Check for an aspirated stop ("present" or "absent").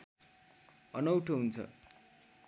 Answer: present